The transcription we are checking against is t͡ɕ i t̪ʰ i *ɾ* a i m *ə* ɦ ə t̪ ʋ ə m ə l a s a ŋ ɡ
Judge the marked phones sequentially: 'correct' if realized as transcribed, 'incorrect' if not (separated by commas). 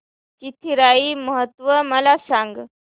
correct, correct